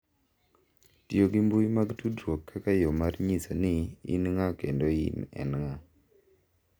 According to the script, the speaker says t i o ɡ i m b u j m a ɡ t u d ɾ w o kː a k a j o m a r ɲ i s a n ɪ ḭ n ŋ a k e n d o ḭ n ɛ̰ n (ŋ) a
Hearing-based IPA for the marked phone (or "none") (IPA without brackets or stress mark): ŋ